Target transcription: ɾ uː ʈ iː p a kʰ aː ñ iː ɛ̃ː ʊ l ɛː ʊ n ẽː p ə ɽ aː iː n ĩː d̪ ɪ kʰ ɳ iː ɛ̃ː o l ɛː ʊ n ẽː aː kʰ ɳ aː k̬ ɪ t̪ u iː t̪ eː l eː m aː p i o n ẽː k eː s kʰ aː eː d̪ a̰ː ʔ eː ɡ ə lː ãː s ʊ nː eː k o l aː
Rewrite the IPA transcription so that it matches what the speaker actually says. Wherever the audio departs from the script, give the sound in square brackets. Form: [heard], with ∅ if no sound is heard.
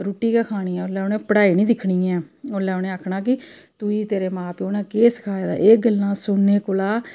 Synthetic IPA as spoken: ɾ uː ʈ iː [k] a kʰ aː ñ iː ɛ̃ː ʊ l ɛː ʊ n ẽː p ə ɽ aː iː n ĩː d̪ ɪ kʰ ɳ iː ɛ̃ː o l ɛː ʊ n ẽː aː kʰ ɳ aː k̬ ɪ t̪ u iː t̪ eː [ɾ] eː m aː p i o n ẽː k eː s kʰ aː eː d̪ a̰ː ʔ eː ɡ ə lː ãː s ʊ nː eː k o l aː